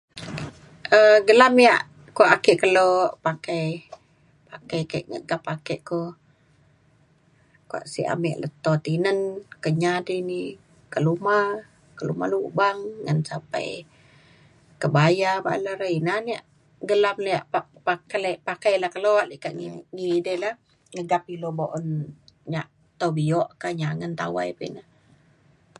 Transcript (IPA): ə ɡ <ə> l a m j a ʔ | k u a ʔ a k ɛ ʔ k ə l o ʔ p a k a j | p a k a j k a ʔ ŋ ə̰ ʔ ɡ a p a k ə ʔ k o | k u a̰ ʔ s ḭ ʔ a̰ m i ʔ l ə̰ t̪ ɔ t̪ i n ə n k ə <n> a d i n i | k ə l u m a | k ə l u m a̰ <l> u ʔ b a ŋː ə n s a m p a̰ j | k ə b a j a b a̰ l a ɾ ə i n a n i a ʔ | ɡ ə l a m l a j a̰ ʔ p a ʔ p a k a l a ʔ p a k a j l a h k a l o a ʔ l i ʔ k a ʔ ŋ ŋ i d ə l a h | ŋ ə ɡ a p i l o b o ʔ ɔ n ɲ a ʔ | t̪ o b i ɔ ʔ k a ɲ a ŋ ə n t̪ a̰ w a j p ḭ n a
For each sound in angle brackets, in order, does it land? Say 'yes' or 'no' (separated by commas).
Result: yes, no, yes